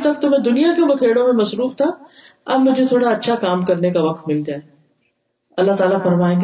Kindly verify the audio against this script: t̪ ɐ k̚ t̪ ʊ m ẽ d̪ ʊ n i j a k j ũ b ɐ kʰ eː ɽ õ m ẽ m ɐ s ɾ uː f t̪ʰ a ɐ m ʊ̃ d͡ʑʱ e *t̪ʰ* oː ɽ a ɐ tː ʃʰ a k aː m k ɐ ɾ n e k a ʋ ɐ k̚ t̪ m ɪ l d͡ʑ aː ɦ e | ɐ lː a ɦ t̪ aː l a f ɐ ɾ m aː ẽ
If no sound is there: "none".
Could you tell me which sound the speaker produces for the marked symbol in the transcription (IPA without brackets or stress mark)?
t̪ʰ